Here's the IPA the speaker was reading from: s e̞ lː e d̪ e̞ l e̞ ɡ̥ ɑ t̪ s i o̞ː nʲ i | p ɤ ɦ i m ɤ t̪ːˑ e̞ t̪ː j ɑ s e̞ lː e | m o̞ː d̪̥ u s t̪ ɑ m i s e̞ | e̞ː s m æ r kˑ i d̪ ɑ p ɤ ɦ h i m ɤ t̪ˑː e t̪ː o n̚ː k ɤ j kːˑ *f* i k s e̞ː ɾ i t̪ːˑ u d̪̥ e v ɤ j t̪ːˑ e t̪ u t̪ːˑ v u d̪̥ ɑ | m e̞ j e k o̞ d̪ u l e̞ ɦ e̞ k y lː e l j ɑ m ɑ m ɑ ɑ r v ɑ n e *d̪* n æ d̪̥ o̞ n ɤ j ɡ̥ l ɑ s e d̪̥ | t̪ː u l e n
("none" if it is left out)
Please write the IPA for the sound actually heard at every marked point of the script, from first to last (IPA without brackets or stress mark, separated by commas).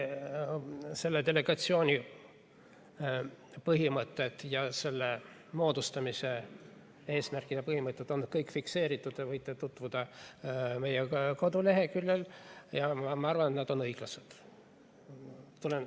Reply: f, t̪